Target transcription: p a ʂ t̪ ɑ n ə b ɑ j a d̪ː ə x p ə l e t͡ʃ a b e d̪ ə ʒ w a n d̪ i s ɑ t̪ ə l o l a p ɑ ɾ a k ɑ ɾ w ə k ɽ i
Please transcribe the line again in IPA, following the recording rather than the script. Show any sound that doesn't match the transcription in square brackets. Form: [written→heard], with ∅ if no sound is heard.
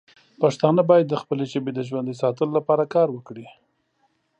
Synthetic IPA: p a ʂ t̪ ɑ n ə b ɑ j a d̪ː ə x p ə l e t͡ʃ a b e d̪ ə ʒ w a n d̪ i s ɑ t̪ ə l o l a p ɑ ɾ a k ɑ ɾ w ə k ɽ i